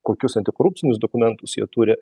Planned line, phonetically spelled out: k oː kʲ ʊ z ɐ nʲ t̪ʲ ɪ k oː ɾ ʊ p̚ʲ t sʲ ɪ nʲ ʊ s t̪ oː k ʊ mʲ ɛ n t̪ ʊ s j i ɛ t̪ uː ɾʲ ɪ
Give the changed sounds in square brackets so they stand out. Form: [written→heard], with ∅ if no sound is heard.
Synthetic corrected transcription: k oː kʲ ʊ [z→s] ɐ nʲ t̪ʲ ɪ k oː ɾ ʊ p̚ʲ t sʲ ɪ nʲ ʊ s [t̪→d̪] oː k ʊ mʲ ɛ n t̪ ʊ s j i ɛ t̪ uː ɾʲ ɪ